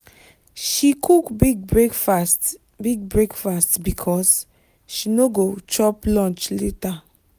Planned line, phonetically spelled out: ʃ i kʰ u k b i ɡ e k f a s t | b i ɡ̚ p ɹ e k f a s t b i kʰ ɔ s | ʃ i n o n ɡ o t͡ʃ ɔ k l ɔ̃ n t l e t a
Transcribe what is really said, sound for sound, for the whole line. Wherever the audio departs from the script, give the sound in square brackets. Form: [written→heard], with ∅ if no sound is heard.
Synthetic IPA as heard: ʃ i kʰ u k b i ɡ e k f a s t | b i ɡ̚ [p→b] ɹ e k f a s t b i kʰ ɔ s | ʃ i n o [n→∅] ɡ o t͡ʃ ɔ [k→p] l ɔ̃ n [t→t͡ʃ] l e t a

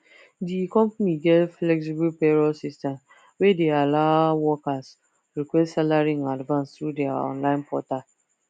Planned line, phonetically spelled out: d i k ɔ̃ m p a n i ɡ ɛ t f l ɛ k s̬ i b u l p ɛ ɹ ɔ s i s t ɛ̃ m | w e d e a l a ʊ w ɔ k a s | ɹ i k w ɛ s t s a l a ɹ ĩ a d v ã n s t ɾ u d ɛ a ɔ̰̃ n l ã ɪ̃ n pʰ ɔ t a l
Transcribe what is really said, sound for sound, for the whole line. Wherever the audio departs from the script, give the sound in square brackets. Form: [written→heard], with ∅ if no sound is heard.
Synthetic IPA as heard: d i k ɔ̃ m p a n i ɡ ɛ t f l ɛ k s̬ i b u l p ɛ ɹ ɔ s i s t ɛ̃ m | w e d e a l a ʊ w ɔ k a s | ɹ i k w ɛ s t s a l a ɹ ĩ a d v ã n s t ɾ u d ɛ a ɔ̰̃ n l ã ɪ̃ n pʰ ɔ t a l

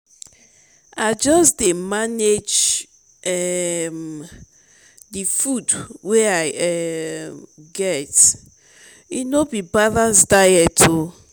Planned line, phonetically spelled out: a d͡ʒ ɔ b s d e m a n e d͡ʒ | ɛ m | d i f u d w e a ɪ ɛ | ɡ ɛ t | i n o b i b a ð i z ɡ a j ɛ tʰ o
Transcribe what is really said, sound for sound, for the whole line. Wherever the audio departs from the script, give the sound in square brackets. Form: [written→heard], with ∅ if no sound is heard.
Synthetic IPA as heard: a d͡ʒ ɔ [b→∅] s d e m a n e d͡ʒ | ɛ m | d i f u d w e a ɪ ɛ | ɡ ɛ t | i n o b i b a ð [i→a] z [ɡ→d] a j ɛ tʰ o

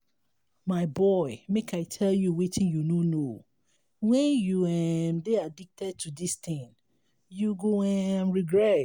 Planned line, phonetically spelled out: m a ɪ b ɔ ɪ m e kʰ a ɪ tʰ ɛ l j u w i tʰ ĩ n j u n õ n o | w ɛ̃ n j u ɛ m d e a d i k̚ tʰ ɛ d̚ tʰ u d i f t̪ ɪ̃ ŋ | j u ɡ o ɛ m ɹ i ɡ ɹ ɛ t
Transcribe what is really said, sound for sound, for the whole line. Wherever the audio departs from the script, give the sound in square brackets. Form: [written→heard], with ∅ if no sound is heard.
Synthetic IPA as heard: m a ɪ b ɔ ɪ m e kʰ a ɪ tʰ ɛ l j u w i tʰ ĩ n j u n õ n o | w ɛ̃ n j u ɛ m d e a d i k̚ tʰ ɛ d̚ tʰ u d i [f→s] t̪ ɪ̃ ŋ | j u ɡ o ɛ m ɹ i ɡ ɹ ɛ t

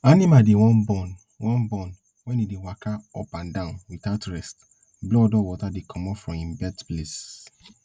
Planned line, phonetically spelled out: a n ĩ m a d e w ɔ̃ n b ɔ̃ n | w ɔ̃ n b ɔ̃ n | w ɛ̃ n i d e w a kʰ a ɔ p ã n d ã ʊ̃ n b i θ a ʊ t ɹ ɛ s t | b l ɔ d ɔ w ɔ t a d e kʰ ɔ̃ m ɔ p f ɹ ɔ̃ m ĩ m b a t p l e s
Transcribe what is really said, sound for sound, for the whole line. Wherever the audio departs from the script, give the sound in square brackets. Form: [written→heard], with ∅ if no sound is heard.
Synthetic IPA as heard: a n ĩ m a d e w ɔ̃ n b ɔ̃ n | w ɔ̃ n b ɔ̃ n | w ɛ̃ n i d e w a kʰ a ɔ p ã n d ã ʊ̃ n [b→w] i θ a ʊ t ɹ ɛ s t | b l ɔ d ɔ w ɔ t a d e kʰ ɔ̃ m ɔ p f ɹ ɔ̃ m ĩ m b [a→ɛ] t p l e s

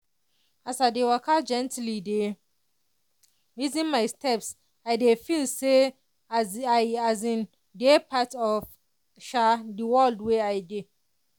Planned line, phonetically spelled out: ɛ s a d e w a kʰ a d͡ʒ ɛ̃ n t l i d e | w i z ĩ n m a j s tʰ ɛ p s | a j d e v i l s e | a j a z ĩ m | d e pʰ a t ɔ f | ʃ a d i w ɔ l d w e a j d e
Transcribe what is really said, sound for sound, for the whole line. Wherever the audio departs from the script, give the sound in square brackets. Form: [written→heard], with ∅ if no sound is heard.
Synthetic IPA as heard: [ɛ→a] s a d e w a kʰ a d͡ʒ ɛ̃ n t l i d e | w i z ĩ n m a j s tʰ ɛ p s | a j d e [v→f] i l s e | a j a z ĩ [m→n] | d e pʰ a t ɔ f | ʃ a d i w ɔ l d w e a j d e

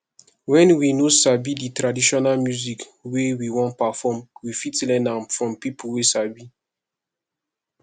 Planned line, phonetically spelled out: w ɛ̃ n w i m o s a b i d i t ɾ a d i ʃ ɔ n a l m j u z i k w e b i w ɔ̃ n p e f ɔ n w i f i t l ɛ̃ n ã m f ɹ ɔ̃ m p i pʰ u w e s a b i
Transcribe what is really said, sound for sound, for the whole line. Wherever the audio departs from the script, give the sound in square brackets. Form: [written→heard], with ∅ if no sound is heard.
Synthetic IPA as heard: w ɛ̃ n w i [m→n] o s a b i d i t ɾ a d i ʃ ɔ n a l m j u z i k w e [b→w] i w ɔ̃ n p [e→a] f ɔ [n→m] w i f i t l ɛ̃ n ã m f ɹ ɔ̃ m p i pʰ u w e s a b i

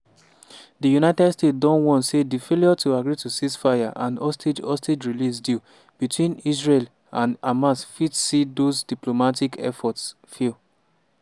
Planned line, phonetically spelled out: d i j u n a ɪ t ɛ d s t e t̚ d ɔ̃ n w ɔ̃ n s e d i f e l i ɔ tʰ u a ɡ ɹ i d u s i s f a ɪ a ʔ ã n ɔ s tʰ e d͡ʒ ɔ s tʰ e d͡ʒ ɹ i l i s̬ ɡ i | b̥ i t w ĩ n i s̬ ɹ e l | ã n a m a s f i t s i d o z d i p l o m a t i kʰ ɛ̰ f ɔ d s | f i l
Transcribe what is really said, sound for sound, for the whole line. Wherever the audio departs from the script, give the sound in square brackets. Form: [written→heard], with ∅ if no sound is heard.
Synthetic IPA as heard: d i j u n a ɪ t ɛ d s t e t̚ d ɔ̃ n w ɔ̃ n s e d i f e l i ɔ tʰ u a ɡ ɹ i [d→t] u s i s f a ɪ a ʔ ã n ɔ s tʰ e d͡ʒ ɔ s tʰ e d͡ʒ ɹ i l i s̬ [ɡ→d] i | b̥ i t w ĩ n i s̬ ɹ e l | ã n a m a s f i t s i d o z d i p l o m a t i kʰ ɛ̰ f ɔ [d→t] s | f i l

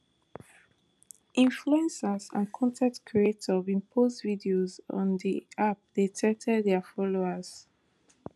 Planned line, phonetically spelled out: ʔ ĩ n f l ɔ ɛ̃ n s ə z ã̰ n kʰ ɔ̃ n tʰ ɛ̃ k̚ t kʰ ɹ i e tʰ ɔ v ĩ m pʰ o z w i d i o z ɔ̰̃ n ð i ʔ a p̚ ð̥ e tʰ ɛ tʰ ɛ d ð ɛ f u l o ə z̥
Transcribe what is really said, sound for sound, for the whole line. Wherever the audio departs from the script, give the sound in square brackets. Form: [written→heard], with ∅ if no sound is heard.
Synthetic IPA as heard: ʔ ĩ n f l [ɔ→u] ɛ̃ n s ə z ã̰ n kʰ ɔ̃ n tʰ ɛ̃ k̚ t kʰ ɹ i e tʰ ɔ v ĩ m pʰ o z [w→v] i d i o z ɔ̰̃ n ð i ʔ a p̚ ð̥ e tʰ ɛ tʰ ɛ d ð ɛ f [u→ɔ] l o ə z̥

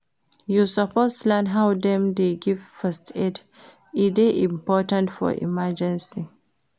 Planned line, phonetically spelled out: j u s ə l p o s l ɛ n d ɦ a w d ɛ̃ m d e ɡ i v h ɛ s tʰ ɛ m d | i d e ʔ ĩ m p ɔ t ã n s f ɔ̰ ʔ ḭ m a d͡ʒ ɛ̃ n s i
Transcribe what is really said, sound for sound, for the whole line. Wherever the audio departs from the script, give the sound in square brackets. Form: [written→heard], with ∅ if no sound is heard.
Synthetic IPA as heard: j u s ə [l→∅] p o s l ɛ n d ɦ a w d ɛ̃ m d e ɡ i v [h→f] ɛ s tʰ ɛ [m→∅] d | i d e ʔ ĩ m p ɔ t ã n [s→t] f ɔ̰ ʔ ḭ m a d͡ʒ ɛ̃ n s i

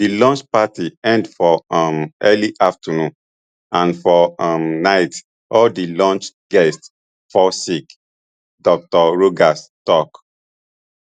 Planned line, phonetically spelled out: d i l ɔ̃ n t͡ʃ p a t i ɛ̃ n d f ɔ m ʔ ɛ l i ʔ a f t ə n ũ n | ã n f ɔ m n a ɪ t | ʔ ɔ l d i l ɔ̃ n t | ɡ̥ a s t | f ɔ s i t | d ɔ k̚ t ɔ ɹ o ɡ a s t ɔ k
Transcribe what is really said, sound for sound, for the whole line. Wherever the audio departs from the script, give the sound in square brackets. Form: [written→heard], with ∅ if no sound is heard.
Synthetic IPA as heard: d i l ɔ̃ n t͡ʃ p a t i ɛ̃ n d f ɔ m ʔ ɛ l i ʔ a f t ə n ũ n | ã n f ɔ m n a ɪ t | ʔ ɔ l d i l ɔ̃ n [t→t͡ʃ] | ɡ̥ [a→ɛ] s t | f ɔ s i [t→k] | d ɔ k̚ t ɔ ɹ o ɡ a s t ɔ k

